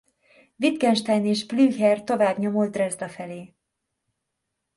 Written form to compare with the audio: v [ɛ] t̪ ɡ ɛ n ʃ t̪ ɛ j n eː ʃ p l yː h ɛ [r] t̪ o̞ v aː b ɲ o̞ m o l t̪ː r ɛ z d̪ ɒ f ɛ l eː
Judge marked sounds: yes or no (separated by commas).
no, yes